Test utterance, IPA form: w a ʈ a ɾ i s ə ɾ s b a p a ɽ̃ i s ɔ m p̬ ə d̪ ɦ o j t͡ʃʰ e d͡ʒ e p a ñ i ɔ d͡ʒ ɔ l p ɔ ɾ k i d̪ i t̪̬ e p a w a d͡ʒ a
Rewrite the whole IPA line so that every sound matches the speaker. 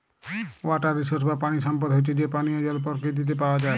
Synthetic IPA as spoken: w a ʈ a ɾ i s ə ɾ s b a p a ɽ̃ i s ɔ m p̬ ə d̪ ɦ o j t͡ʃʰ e d͡ʒ e p a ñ i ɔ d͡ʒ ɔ l p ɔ ɾ k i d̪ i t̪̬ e p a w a d͡ʒ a